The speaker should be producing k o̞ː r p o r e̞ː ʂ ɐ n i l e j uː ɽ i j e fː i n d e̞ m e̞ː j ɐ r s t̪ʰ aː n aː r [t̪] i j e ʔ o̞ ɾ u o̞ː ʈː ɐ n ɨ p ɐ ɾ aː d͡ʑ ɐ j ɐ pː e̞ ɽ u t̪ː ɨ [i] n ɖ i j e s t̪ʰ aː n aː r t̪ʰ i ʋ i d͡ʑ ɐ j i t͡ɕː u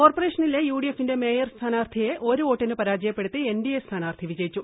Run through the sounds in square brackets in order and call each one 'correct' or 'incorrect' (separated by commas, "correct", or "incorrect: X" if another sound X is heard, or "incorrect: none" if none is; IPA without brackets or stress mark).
incorrect: t̪ʰ, incorrect: e